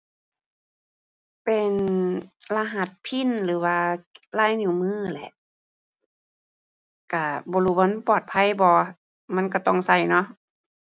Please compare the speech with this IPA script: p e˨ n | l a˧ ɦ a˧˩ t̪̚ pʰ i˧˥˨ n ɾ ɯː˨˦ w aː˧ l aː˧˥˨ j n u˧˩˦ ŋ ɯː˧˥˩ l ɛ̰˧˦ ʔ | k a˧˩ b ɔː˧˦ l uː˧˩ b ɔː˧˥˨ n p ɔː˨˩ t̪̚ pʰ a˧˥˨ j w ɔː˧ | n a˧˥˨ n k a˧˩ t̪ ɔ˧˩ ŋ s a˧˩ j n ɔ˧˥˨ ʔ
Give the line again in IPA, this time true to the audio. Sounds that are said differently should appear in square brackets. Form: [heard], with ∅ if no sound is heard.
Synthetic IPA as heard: p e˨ n | l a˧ ɦ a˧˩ t̪̚ pʰ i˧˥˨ n [l] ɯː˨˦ w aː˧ l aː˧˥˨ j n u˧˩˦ [m] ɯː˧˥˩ l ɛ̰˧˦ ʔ | k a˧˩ b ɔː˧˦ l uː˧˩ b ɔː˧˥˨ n p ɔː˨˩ t̪̚ pʰ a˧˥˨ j [b] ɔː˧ | [m] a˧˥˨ n k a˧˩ t̪ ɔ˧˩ ŋ s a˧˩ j n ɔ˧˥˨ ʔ